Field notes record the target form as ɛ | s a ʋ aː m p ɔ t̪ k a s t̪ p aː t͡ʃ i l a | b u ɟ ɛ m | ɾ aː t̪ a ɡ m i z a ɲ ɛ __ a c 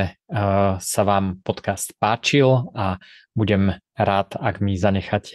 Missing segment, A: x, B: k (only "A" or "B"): A